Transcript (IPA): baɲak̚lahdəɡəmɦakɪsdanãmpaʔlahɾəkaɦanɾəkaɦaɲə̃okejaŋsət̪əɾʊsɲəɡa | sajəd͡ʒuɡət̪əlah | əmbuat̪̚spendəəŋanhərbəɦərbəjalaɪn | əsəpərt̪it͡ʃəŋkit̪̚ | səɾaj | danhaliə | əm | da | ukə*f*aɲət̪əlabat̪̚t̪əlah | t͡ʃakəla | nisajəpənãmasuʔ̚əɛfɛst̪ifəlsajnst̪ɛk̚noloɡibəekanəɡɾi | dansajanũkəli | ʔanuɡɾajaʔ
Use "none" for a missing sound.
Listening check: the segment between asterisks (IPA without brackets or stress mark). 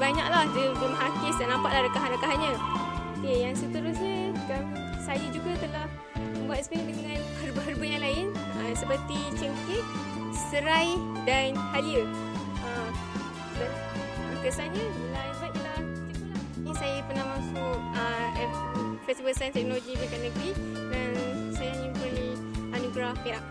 s